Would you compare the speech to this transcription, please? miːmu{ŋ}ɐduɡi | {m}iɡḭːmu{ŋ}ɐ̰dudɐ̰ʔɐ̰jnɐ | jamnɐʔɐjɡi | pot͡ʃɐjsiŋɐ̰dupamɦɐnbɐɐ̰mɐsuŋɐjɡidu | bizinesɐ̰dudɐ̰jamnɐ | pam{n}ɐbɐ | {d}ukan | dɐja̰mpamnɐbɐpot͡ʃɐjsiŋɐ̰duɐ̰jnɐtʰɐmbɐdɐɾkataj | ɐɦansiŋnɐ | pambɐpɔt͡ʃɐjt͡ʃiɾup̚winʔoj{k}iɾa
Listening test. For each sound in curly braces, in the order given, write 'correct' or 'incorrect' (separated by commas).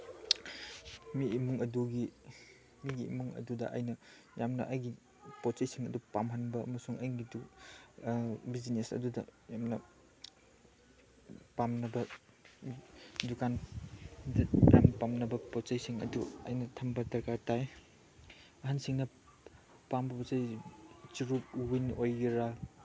correct, correct, correct, correct, correct, incorrect